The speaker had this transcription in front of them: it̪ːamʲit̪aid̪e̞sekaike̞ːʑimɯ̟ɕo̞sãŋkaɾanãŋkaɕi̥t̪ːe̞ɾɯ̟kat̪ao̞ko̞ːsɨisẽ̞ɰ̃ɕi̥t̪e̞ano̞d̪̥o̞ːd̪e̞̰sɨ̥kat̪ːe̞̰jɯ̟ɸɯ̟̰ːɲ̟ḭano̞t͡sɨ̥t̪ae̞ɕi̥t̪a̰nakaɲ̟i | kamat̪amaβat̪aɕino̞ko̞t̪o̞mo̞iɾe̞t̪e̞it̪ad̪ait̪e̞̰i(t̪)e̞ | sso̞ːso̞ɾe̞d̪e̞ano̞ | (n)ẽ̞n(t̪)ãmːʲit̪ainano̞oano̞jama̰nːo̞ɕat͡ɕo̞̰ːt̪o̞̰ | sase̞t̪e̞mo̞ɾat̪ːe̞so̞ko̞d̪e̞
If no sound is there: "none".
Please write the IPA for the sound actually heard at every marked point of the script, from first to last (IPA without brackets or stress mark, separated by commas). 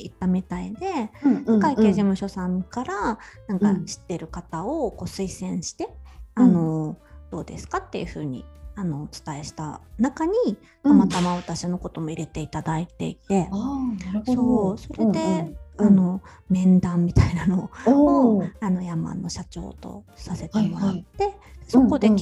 t̪, m, d̪